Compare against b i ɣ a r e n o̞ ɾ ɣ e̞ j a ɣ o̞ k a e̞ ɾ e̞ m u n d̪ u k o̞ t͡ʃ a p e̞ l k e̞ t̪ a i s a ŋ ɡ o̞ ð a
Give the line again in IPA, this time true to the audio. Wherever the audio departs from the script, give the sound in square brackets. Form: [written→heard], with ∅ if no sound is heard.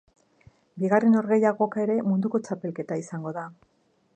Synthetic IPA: b i ɣ a r e n o̞ ɾ ɣ e̞ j a ɣ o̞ k a e̞ ɾ e̞ m u n d̪ u k o̞ t͡ʃ a p e̞ l k e̞ t̪ a i s a ŋ ɡ o̞ ð a